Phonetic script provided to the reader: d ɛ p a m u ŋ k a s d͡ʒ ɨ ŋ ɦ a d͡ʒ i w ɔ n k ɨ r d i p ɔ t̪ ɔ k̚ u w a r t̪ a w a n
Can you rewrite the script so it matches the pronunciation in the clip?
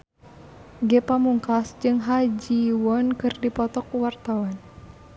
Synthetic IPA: ɡ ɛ p a m u ŋ k a s d͡ʒ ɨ ŋ ɦ a d͡ʒ i w ɔ n k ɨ r d i p ɔ t̪ ɔ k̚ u w a r t̪ a w a n